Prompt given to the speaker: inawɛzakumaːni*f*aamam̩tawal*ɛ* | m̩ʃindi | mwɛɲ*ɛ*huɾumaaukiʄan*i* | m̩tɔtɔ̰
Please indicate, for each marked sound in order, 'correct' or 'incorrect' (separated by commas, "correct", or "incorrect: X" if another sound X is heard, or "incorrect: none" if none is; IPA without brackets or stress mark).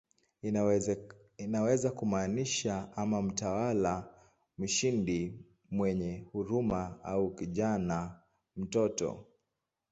incorrect: ʃ, incorrect: a, correct, incorrect: a